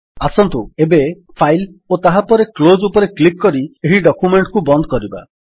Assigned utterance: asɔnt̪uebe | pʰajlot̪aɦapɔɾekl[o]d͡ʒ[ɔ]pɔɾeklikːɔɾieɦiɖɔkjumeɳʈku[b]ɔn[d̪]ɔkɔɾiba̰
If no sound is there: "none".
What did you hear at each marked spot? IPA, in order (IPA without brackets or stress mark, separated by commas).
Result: o, u, b, d̪